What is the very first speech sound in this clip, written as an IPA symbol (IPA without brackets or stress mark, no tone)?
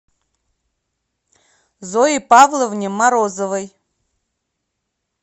z